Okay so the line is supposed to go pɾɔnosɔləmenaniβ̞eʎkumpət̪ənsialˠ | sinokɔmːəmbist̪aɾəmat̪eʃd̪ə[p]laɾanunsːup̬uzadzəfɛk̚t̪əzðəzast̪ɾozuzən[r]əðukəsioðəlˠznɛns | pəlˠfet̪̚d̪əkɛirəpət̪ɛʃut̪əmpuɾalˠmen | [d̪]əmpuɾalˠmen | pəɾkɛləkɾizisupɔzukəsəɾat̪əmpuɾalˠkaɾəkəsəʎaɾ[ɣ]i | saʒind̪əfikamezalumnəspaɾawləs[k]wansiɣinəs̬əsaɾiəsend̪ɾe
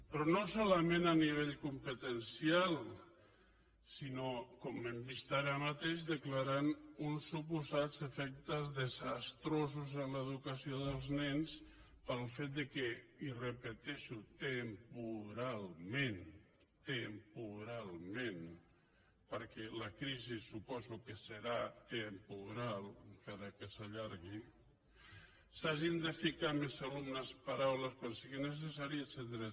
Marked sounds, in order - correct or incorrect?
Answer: incorrect: k, incorrect: l, incorrect: t̪, correct, correct

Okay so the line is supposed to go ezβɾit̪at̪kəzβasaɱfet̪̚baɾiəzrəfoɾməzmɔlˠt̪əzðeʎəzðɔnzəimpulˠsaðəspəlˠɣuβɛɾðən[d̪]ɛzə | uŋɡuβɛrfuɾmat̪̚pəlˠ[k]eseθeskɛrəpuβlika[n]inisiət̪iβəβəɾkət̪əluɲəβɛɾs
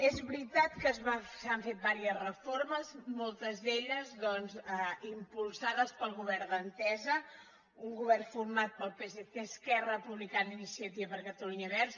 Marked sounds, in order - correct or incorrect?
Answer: incorrect: t̪, incorrect: p, correct

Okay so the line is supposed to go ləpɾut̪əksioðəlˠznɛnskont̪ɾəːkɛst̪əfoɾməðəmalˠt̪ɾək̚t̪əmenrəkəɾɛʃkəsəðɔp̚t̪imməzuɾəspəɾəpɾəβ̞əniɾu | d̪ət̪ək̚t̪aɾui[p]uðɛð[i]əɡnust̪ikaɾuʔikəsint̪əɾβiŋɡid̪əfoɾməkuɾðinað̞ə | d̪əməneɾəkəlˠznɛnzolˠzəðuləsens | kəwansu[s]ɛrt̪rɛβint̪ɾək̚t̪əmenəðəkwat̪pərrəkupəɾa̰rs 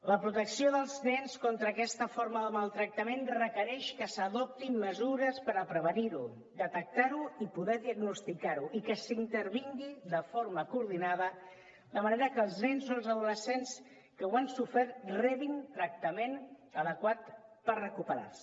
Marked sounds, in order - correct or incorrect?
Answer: correct, correct, incorrect: f

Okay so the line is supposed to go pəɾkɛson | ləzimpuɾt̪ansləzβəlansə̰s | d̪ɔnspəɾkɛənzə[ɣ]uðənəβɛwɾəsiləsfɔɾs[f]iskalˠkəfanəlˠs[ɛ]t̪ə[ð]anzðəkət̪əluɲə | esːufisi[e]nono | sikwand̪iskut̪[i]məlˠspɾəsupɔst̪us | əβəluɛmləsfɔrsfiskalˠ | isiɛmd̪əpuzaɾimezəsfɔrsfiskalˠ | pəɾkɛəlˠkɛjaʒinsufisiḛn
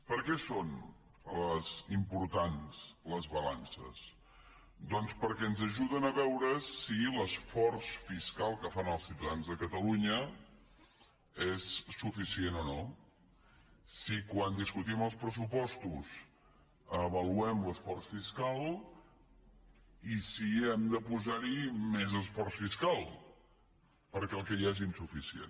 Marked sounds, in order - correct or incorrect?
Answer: incorrect: ʒ, correct, incorrect: i, correct, correct, correct

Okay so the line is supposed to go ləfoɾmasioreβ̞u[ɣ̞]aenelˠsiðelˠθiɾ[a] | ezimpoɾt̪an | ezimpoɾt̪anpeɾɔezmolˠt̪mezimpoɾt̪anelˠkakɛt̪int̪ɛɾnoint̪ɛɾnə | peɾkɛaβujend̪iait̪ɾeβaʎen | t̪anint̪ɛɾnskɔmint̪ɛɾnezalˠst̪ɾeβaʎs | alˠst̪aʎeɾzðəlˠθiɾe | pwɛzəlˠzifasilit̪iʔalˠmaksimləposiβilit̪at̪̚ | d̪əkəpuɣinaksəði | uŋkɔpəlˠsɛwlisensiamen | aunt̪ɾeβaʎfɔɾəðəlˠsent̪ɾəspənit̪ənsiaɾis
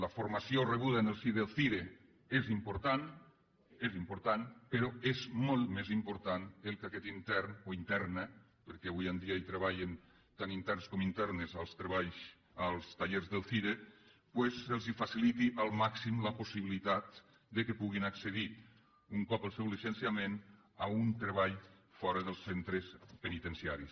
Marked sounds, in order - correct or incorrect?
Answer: incorrect: ð̞, incorrect: e

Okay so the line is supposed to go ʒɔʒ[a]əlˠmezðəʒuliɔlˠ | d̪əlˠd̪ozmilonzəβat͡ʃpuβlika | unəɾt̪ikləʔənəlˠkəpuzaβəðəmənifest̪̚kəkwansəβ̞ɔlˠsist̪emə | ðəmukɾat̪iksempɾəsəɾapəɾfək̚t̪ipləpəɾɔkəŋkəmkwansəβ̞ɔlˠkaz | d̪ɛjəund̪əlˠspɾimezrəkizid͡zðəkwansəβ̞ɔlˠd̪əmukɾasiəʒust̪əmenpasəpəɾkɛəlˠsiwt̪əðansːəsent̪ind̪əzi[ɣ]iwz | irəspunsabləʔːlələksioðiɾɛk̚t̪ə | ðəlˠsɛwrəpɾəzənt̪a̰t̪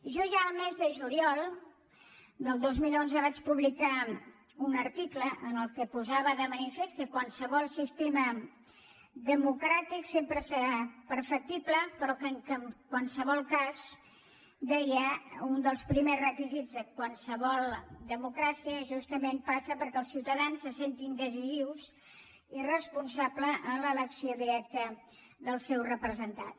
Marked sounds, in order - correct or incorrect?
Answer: correct, incorrect: z

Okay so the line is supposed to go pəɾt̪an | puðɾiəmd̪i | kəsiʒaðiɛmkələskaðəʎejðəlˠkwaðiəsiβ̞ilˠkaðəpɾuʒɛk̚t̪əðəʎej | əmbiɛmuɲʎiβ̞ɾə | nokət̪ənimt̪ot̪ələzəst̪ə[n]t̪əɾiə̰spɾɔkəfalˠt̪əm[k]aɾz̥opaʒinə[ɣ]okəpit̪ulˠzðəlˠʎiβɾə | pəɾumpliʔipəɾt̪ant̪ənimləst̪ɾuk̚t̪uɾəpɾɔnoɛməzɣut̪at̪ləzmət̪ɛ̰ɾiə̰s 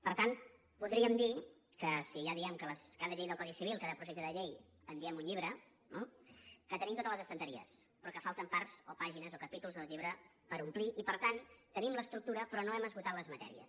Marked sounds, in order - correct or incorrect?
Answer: correct, incorrect: p, incorrect: z

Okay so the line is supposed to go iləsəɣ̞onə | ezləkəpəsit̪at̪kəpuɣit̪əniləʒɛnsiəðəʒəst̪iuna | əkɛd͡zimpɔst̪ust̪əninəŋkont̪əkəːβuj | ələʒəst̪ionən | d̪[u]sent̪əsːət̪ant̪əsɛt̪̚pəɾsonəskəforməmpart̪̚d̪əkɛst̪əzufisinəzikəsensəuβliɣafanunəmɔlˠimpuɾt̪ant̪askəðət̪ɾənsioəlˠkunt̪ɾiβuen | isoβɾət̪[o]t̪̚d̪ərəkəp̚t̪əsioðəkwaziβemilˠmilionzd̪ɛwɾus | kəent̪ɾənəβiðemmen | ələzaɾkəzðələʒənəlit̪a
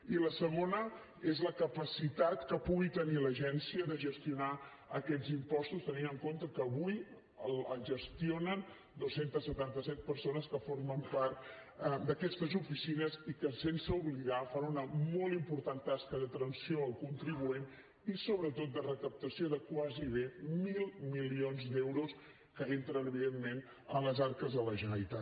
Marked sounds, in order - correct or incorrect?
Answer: incorrect: o, correct

